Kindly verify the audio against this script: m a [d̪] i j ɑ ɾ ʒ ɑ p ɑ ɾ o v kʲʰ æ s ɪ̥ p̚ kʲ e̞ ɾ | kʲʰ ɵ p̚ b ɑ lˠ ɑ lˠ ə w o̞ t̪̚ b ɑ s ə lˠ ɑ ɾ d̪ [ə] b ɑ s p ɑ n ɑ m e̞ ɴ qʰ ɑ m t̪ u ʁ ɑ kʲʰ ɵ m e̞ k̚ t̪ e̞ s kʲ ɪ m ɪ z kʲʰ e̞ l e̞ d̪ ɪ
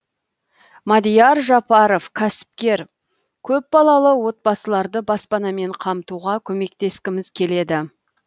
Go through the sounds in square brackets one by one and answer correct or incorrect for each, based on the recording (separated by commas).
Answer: correct, correct